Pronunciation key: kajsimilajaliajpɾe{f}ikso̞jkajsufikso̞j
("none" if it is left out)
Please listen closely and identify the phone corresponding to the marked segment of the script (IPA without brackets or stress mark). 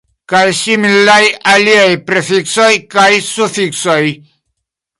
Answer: f